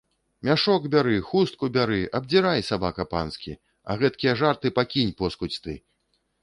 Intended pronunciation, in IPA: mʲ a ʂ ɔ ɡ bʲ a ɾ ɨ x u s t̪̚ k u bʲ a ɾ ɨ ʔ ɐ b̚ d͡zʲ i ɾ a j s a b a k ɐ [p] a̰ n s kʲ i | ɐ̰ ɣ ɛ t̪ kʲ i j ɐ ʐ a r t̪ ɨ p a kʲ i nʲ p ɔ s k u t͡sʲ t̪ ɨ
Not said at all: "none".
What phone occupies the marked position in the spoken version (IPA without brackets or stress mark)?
p